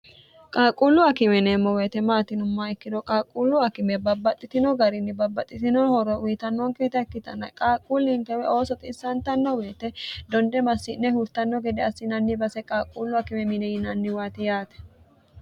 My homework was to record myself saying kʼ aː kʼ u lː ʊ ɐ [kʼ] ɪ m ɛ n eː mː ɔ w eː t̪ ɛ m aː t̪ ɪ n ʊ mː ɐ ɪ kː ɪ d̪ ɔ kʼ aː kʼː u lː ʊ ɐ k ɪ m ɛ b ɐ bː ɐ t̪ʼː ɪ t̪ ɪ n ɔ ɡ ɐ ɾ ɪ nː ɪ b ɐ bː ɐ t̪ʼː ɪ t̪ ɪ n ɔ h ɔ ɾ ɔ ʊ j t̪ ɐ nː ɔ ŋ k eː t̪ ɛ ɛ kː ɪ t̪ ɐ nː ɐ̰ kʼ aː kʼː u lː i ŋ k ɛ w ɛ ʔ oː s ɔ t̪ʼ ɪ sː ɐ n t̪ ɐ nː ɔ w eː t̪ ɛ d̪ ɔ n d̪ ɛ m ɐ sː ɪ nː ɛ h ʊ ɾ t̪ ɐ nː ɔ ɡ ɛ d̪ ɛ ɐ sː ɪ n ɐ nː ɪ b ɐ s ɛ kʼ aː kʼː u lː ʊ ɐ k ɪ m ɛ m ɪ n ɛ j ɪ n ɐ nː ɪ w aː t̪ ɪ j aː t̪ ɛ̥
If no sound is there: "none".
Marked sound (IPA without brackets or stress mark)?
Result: k